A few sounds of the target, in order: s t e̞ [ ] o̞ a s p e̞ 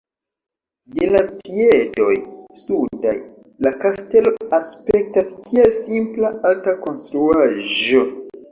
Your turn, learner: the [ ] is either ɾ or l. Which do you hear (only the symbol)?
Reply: l